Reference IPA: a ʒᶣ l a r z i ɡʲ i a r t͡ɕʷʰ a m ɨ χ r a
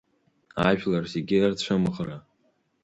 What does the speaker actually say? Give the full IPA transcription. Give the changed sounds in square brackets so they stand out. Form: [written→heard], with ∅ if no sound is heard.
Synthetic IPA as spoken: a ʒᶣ l a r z [i→e] ɡʲ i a r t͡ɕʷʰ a m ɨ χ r a